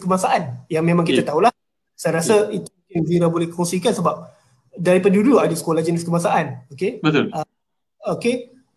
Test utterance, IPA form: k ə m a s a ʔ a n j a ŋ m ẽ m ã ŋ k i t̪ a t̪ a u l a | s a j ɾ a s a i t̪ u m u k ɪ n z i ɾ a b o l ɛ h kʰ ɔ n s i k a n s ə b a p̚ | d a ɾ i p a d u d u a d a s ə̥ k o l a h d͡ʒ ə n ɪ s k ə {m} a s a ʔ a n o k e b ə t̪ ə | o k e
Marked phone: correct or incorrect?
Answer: correct